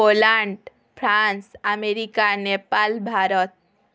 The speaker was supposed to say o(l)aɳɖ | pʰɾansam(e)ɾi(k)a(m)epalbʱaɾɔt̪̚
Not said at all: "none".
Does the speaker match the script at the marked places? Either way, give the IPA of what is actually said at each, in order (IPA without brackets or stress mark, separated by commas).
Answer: l, e, k, n